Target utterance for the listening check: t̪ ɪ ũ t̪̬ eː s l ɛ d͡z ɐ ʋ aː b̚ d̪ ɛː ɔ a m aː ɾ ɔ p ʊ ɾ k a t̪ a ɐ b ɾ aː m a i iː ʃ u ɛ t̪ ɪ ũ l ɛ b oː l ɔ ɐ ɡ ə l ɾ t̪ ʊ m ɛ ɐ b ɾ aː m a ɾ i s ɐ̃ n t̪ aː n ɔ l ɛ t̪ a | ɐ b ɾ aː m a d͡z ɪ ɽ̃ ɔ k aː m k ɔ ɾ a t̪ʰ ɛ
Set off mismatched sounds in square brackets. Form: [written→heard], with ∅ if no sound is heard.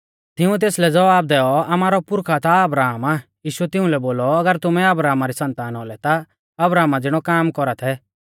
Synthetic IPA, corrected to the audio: t̪ ɪ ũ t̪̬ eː s l ɛ d͡z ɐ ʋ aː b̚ d̪ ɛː ɔ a m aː ɾ ɔ p ʊ ɾ [k→kʰ] a t̪ a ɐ b ɾ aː m a [i→j] iː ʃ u ɛ t̪ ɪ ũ l ɛ b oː l ɔ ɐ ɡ ə [l→∅] ɾ t̪ ʊ m ɛ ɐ b ɾ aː m a ɾ i s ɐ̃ n t̪ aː n ɔ l ɛ t̪ a | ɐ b ɾ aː m a d͡z ɪ ɽ̃ ɔ k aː m k ɔ ɾ a t̪ʰ ɛ